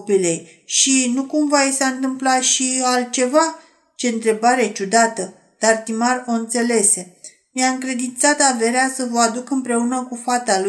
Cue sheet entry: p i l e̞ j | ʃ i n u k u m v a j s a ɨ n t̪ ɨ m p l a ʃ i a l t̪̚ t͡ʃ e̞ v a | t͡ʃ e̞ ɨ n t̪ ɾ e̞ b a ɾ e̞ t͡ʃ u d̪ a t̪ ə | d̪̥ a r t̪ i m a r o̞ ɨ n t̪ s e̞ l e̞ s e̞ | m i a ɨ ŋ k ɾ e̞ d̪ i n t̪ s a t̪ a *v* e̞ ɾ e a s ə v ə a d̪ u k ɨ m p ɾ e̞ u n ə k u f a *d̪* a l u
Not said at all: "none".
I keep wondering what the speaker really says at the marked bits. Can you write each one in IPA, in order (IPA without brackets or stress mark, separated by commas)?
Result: v, t̪